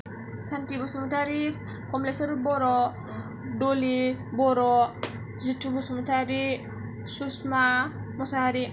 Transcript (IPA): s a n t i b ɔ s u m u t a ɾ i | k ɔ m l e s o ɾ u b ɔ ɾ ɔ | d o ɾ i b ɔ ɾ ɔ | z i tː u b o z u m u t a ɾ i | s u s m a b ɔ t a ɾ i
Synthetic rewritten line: s a n t i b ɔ s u m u t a ɾ i | k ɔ m l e s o ɾ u b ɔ ɾ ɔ | d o l i b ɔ ɾ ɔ | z i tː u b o s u m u t a ɾ i | s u s m a m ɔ s a ɾ i

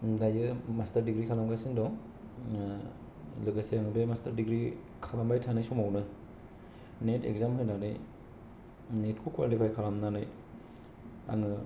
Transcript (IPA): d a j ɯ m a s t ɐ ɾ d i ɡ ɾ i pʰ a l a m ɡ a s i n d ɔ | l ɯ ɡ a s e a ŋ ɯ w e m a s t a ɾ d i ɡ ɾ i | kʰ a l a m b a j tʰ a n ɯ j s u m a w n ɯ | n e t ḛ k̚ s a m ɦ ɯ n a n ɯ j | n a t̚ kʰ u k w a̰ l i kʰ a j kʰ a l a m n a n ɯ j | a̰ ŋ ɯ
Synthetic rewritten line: d a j ɯ m a s t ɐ ɾ d i ɡ ɾ i kʰ a l a m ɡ a s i n d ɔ | l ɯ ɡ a s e a ŋ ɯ b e m a s t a ɾ d i ɡ ɾ i | kʰ a l a m b a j tʰ a n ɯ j s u m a w n ɯ | n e t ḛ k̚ z a m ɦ ɯ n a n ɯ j | n e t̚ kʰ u k w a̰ l i pʰ a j kʰ a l a m n a n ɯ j | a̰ ŋ ɯ

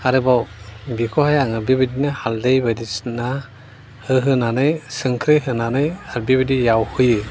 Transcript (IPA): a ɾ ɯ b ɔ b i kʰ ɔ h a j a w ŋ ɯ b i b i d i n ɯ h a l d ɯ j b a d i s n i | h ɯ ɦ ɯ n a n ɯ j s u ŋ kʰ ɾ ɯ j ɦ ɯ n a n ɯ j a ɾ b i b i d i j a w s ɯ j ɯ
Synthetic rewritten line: a ɾ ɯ b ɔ b i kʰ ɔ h a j a ŋ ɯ b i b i d i n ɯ h a l d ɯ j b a d i s n a | h ɯ ɦ ɯ n a n ɯ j s ɯ ŋ kʰ ɾ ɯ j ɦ ɯ n a n ɯ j a ɾ b i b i d i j a w h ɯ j ɯ

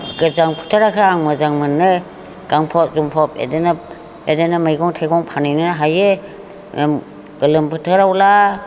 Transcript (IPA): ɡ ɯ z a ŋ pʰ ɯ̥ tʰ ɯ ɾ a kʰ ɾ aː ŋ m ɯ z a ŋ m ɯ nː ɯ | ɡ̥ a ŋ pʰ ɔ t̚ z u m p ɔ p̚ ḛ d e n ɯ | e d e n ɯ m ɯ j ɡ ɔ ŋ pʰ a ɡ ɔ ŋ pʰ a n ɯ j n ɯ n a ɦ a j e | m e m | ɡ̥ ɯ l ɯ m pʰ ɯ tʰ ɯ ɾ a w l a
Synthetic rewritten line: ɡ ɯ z a ŋ pʰ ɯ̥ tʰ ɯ ɾ a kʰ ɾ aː ŋ m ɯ z a ŋ m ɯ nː ɯ | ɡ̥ a ŋ pʰ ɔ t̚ z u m pʰ ɔ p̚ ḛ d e n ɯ | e d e n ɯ m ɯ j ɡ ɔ ŋ tʰ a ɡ ɔ ŋ pʰ a n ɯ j n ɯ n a ɦ a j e | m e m | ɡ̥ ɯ l ɯ m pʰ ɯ tʰ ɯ ɾ a w l a

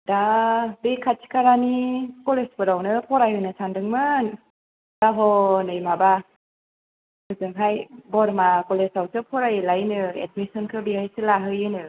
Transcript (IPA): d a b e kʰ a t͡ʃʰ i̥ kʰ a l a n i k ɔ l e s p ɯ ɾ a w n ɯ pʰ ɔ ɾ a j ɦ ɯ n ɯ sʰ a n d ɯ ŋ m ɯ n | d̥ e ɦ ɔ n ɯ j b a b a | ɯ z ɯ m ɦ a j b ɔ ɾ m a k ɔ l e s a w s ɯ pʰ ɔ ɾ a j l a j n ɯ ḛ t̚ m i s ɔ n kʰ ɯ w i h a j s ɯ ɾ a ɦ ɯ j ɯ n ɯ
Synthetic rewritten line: d a b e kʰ a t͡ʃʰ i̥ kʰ a ɾ a n i k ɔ l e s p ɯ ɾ a w n ɯ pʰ ɔ ɾ a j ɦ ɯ n ɯ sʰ a n d ɯ ŋ m ɯ n | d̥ a ɦ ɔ n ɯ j m a b a | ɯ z ɯ ŋ ɦ a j b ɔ ɾ m a k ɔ l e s a w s ɯ pʰ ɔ ɾ a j l a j n ɯ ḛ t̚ m i s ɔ n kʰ ɯ b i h a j s ɯ l a ɦ ɯ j ɯ n ɯ

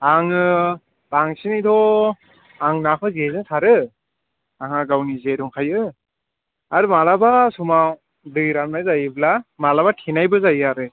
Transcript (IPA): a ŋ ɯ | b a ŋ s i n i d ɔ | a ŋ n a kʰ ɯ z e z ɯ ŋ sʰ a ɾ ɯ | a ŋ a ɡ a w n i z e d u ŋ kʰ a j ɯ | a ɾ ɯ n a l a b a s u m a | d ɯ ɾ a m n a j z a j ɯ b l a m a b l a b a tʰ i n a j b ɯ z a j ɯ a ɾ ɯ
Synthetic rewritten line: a ŋ ɯ | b a ŋ s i n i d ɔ | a ŋ n a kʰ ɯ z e z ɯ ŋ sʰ a ɾ ɯ | a ŋ a ɡ a w n i z e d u ŋ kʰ a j ɯ | a ɾ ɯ m a l a b a s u m a | d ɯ ɾ a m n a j z a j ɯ b l a m a l a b a tʰ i n a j b ɯ z a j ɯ a ɾ ɯ

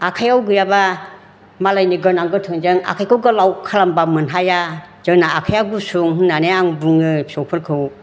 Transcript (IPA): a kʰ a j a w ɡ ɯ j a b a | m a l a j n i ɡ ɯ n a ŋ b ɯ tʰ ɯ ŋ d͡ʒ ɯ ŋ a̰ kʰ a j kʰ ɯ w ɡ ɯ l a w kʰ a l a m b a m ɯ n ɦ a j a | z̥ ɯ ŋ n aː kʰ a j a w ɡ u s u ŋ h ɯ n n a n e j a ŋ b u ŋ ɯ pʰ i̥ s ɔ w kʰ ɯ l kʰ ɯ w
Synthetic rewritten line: a kʰ a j a w ɡ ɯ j a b a | m a l a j n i ɡ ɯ n a ŋ ɡ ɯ tʰ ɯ ŋ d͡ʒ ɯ ŋ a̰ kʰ a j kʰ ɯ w ɡ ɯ l a w kʰ a l a m b a m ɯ n ɦ a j a | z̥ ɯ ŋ n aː kʰ a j a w ɡ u s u ŋ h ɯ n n a n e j a ŋ b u ŋ ɯ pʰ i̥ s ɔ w pʰ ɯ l kʰ ɯ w

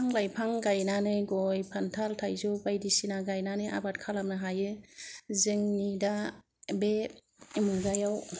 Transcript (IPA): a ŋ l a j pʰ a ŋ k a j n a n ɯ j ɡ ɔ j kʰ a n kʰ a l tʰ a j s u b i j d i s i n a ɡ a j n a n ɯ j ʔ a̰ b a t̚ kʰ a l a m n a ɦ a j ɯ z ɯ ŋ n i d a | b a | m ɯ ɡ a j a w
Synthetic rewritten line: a ŋ l a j pʰ a ŋ ɡ a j n a n ɯ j ɡ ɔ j pʰ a n tʰ a l tʰ a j z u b a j d i s i n a ɡ a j n a n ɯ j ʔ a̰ b a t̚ kʰ a l a m n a ɦ a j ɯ z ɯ ŋ n i d a | b e | m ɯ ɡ a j a w

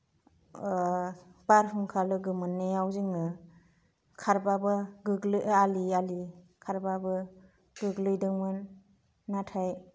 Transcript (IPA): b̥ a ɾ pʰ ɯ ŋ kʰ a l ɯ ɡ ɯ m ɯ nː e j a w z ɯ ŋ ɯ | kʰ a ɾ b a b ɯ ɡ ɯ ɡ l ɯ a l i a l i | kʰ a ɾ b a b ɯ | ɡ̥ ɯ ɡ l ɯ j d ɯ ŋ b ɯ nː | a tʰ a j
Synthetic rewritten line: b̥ a ɾ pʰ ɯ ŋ kʰ a l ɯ ɡ ɯ m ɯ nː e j a w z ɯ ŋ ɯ | kʰ a ɾ b a b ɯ ɡ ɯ ɡ l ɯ a l i a l i | kʰ a ɾ b a b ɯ | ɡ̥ ɯ ɡ l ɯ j d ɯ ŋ m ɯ nː | a tʰ a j

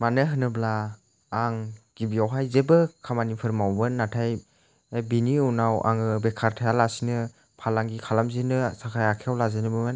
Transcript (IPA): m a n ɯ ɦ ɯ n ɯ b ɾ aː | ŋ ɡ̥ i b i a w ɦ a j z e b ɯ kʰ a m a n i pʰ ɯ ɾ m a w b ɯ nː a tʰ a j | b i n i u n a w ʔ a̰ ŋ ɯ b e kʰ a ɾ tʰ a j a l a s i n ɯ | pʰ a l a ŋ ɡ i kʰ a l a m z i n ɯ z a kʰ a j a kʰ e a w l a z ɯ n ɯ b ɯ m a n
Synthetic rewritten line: m a n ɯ ɦ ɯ n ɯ b l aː | ŋ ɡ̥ i b i a w ɦ a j z e b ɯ kʰ a m a n i pʰ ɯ ɾ m a w b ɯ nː a tʰ a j | b i n i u n a w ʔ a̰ ŋ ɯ b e kʰ a ɾ tʰ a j a l a s i n ɯ | pʰ a l a ŋ ɡ i kʰ a l a m z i n ɯ s a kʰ a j a kʰ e a w l a z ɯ n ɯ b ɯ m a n

